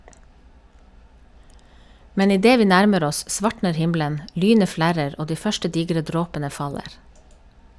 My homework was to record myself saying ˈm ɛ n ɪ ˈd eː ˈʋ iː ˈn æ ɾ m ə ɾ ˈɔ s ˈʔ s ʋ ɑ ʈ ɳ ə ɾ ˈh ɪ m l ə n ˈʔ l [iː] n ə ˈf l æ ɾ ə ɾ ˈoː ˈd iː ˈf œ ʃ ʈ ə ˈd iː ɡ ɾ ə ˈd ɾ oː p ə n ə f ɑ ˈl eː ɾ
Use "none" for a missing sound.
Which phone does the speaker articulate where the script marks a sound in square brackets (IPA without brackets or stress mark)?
yː